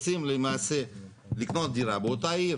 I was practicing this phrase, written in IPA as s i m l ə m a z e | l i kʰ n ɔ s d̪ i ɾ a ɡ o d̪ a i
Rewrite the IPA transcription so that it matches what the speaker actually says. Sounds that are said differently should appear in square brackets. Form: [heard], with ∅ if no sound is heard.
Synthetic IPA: s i m l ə m a [s] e | l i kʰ n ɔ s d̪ i ɾ a [b] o [t̪] a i